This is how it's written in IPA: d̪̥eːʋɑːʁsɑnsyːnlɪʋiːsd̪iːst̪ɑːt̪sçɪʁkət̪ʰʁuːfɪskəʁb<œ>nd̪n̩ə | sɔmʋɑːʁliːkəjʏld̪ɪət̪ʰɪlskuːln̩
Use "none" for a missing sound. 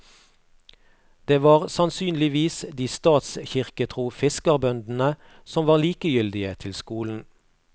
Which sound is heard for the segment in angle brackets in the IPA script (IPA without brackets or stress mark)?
œ